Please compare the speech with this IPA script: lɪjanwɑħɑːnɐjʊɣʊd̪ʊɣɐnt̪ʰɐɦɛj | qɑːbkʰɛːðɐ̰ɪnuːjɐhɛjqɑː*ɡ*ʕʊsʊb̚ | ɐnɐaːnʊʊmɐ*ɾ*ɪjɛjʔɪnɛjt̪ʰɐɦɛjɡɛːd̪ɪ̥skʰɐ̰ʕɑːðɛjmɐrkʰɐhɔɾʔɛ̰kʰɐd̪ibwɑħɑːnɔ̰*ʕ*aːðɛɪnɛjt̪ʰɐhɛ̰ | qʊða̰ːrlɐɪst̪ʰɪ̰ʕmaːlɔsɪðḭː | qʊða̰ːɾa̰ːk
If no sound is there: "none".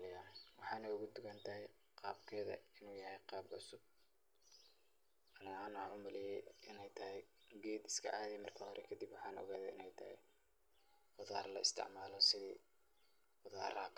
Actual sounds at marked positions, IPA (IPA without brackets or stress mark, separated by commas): b, l, ɣ